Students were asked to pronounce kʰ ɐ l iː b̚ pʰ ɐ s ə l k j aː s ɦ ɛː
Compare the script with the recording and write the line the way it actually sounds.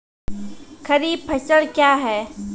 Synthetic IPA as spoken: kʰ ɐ ɾ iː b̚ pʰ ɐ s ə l k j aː ɦ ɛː